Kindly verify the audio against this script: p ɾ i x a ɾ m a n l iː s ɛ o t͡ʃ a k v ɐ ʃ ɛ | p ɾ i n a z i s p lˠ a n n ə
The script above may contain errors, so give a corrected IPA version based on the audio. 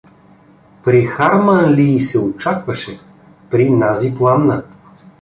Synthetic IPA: p ɾ i x a ɾ m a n l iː s ɛ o t͡ʃ a k v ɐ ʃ ɛ | p ɾ i n a z i p lˠ a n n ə

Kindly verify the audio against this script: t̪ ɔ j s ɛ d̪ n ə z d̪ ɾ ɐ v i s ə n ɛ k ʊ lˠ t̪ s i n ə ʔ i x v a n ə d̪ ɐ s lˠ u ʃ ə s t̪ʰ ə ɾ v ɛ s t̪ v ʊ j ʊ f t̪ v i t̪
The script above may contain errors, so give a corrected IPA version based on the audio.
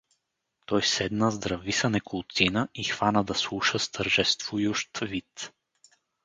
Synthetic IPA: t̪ ɔ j s ɛ d̪ n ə z d̪ ɾ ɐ v i s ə n ɛ k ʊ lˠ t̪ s i n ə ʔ i x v a n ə d̪ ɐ s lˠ u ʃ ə s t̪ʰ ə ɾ ʒ ɛ s t̪ v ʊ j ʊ ʃ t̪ v i t̪

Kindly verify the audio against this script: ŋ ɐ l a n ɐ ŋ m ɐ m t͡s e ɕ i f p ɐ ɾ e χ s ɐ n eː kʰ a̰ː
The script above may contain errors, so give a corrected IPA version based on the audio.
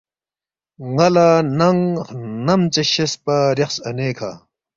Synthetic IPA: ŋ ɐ l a n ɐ ŋ n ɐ m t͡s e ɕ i s p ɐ ɾ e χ s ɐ n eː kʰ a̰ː

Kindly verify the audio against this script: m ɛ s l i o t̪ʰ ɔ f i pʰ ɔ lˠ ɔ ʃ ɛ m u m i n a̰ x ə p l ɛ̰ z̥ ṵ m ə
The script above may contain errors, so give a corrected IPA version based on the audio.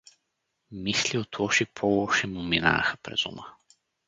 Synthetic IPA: m i s l i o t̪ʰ ɔ ʃ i pʰ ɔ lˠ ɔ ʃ ɛ m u m i n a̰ x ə p ɾ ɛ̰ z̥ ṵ m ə

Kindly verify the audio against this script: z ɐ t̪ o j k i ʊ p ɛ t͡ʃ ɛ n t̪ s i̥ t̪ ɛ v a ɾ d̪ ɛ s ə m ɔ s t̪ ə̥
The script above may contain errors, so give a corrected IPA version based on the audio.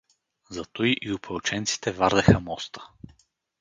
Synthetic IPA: z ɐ t̪ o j ʔ i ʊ p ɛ t͡ʃ ɛ n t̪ s i̥ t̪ ɛ v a ɾ d̪ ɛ x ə m ɔ s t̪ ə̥

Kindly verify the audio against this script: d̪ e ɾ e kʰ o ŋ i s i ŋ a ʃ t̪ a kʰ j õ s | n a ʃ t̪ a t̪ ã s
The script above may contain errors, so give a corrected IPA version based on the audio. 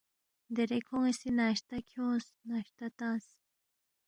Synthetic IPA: d̪ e ɾ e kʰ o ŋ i s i n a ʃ t̪ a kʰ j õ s | n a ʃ t̪ a t̪ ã s

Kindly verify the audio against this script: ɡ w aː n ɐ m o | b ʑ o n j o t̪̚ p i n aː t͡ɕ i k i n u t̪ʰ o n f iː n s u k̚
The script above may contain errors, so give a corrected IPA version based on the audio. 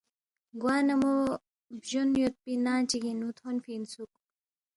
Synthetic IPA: ɡ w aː n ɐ m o | b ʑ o n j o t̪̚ p i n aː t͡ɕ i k i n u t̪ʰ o n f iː n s u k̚

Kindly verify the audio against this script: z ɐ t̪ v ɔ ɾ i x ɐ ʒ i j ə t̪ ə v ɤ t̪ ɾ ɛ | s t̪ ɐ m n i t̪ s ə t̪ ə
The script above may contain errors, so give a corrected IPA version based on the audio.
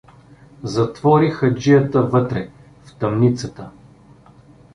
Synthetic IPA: z ɐ t̪ v ɔ ɾ i x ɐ d͡ʒ i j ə t̪ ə v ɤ t̪ ɾ ɛ | f t̪ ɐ m n i t̪ s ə t̪ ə

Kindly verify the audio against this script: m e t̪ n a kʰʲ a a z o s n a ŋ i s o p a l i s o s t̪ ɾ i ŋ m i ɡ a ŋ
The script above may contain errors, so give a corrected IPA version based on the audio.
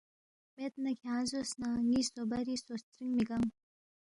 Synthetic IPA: m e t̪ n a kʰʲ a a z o s n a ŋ i s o b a ɾ i s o s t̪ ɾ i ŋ m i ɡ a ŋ

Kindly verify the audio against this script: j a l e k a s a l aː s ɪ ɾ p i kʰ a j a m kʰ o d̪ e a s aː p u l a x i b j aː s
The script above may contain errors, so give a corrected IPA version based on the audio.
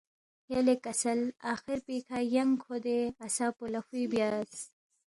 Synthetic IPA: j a l e k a s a l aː x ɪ ɾ p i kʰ a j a ŋ kʰ o d̪ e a s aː p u l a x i b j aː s

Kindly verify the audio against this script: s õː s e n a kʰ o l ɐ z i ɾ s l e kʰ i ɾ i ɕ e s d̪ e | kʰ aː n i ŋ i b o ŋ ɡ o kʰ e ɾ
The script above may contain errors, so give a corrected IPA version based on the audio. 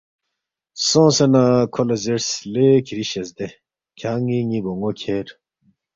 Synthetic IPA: s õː s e n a kʰ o l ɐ z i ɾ s l e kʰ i ɾ i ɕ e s d̪ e | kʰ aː ŋ i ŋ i b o ŋ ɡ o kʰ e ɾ

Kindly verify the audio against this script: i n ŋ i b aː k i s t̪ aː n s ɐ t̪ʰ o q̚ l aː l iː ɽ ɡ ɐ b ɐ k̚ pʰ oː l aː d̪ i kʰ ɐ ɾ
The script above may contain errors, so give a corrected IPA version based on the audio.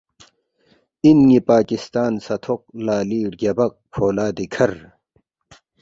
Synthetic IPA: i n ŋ i p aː k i s t̪ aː n s ɐ t̪ʰ o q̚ l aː l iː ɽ ɡ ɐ b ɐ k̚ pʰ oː l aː d̪ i kʰ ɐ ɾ

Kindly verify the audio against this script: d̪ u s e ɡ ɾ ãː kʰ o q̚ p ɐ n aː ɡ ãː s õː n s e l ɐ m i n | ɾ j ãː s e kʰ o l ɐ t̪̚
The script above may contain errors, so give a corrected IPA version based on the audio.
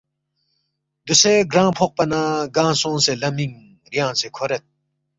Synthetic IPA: d̪ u s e ɡ ɾ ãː pʰ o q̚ p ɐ n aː ɡ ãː s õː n s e l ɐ m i ŋ | ɾ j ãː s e kʰ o ɾ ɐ t̪̚

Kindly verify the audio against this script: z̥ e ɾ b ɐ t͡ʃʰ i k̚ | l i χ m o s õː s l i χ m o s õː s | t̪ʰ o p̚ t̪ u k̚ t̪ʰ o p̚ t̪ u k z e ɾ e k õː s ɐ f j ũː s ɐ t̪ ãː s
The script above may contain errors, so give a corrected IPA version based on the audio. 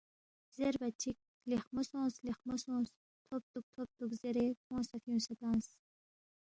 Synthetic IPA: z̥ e ɾ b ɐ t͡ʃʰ i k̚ | l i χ m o s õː s l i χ m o s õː s | t̪ʰ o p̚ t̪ u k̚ t̪ʰ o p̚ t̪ u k z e ɾ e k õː s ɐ f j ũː s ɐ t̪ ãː s

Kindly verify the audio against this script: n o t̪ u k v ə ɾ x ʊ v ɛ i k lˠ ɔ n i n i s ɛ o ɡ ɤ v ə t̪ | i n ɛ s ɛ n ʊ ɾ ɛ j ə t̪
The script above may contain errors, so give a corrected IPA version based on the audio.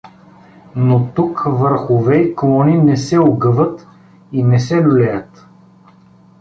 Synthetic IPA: n o t̪ u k v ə ɾ x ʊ v ɛ i k lˠ ɔ n i n ɛ s ɛ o ɡ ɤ v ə t̪ | i n ɛ s ɛ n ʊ l ɛ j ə t̪

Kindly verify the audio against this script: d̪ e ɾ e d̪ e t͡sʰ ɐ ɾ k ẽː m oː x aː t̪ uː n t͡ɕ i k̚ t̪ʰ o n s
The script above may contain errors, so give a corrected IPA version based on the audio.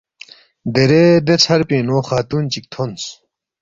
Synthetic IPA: d̪ e ɾ e d̪ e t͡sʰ ɐ ɾ p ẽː n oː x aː t̪ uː n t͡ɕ i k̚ t̪ʰ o n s

